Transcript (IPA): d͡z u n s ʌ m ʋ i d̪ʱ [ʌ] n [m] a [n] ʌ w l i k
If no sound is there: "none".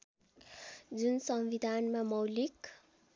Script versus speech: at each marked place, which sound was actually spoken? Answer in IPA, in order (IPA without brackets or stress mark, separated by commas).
a, m, m